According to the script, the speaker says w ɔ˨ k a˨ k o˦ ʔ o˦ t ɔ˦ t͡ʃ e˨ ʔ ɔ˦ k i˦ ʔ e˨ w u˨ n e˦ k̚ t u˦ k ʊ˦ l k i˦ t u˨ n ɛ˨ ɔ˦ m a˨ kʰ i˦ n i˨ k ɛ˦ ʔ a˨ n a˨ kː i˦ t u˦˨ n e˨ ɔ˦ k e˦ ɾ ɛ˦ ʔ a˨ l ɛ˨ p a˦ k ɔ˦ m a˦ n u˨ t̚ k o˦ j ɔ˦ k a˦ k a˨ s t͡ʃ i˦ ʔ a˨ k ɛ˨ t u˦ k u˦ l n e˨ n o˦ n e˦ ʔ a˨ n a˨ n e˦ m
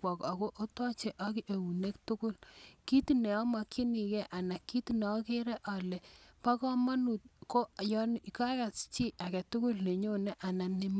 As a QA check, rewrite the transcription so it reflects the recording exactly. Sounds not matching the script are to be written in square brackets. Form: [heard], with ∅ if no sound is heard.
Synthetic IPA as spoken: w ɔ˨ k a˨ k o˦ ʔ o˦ t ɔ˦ t͡ʃ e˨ ʔ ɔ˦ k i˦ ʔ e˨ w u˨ n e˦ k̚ t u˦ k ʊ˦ l k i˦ t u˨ n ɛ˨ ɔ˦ m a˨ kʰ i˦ n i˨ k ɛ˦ ʔ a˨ n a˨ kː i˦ t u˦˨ n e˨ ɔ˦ k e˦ ɾ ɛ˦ ʔ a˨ l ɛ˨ p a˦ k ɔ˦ m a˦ n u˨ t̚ k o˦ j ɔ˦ k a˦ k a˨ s t͡ʃ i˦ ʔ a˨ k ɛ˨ t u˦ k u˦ l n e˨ [ɲ] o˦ n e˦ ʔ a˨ n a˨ n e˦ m